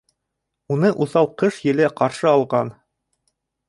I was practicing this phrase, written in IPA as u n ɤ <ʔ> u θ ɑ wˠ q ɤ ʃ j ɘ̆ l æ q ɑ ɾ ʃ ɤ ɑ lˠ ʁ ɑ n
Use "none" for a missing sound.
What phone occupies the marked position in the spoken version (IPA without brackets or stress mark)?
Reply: ʔ